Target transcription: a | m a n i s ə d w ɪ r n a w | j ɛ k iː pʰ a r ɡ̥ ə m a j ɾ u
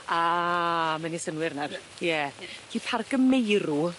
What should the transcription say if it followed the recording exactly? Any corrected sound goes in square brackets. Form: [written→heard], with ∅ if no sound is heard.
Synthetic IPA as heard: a | m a n i s ə [d→n] w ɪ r n a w | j ɛ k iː pʰ a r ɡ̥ ə m [a→e] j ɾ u